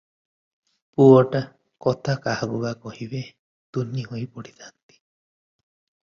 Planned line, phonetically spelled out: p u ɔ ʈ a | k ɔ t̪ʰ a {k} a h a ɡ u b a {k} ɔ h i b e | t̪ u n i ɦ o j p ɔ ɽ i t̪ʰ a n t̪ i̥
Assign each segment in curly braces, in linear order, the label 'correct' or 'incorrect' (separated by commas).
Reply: correct, correct